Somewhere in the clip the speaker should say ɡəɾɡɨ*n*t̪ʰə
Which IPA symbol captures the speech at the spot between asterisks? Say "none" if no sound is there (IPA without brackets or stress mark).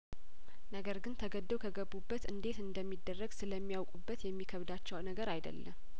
n